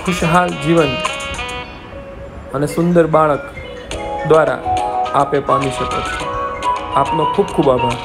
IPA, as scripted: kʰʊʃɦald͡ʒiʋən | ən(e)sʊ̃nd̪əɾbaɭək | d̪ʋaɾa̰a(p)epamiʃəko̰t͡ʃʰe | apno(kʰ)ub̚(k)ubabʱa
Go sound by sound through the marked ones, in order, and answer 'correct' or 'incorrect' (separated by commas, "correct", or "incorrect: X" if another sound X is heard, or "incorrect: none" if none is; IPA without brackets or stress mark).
correct, correct, correct, incorrect: kʰ